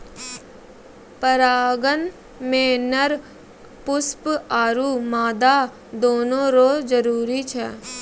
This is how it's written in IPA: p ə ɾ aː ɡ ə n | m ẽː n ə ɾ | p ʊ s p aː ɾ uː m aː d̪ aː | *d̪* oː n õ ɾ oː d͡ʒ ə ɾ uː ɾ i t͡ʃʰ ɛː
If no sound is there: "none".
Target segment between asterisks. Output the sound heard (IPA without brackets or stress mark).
d̪